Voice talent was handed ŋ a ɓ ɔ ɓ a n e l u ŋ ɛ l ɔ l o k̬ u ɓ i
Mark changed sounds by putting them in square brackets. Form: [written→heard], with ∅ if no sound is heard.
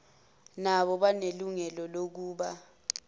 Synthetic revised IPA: [ŋ→n] a ɓ ɔ ɓ a n e l u ŋ ɛ l ɔ l o k̬ [u→uː] ɓ [i→a]